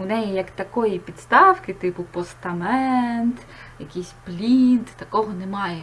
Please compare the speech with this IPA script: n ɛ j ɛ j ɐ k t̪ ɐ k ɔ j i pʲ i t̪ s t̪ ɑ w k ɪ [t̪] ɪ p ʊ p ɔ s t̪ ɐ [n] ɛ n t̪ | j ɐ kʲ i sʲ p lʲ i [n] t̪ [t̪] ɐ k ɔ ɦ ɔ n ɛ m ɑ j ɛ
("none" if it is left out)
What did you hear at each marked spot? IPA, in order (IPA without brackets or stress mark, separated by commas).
t̪, m, n, t̪